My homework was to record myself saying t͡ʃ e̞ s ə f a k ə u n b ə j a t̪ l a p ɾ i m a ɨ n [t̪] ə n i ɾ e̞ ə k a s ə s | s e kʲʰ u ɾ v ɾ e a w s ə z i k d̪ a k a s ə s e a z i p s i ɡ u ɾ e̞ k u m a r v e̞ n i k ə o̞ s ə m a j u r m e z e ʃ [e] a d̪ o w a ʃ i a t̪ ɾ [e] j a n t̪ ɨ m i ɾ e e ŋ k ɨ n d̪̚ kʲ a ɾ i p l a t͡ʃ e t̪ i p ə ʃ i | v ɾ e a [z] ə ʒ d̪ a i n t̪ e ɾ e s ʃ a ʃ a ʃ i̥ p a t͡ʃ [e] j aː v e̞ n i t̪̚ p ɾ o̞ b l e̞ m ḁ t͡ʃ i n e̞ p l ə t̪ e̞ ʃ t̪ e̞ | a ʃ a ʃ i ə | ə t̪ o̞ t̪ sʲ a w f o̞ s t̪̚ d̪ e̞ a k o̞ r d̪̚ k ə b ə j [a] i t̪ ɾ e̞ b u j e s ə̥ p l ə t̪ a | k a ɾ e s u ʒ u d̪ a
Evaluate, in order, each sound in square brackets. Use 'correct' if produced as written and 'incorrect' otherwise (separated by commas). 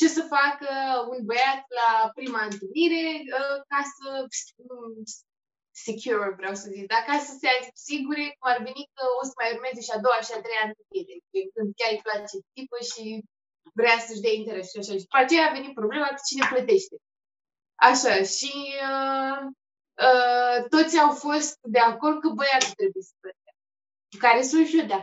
correct, incorrect, correct, incorrect, correct, correct